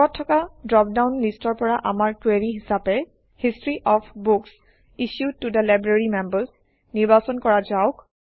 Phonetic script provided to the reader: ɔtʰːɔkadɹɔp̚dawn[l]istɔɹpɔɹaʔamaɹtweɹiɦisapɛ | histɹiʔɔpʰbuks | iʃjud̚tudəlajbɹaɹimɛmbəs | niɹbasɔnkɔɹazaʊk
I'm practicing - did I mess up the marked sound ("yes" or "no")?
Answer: no